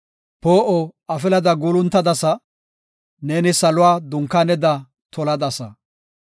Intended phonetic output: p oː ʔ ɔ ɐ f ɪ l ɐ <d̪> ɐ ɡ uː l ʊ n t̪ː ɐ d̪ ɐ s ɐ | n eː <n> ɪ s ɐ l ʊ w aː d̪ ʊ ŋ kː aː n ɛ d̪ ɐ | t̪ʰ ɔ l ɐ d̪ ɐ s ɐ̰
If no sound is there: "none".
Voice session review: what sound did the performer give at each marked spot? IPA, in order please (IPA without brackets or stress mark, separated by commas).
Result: d̪, n